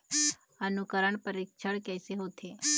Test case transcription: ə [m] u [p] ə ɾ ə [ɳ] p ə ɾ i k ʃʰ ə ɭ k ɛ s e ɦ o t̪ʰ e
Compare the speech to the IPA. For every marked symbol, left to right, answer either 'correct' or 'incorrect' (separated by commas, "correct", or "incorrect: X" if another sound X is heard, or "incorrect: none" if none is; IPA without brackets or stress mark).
incorrect: n, incorrect: k, correct